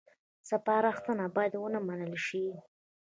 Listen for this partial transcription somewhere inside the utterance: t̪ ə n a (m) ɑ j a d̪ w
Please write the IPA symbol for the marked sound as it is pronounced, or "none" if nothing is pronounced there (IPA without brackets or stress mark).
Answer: b